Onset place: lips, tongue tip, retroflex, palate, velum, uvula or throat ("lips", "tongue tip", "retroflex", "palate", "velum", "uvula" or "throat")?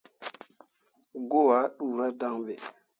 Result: velum